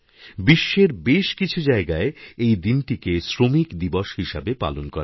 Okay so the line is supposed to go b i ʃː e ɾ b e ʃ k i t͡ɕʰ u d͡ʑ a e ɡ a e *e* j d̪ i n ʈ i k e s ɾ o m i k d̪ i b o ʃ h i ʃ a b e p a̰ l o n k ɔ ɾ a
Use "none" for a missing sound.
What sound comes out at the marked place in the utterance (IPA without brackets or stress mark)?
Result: e